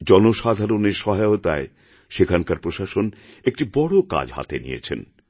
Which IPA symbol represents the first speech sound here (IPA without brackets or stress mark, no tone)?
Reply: d͡ʑ